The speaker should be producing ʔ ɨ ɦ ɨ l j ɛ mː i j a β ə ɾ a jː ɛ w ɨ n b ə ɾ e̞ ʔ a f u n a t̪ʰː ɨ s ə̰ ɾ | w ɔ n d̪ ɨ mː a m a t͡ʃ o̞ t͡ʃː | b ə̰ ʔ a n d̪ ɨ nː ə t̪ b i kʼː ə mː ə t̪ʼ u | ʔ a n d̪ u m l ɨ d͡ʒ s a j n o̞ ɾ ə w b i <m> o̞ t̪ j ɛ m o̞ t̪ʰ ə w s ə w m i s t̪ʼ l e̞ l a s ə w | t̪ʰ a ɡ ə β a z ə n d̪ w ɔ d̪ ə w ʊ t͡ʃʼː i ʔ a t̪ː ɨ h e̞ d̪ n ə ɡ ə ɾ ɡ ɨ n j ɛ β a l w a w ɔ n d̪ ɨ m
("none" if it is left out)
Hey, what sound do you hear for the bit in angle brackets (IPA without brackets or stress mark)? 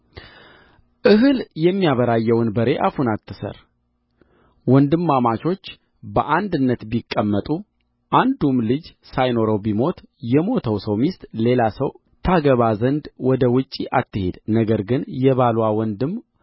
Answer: m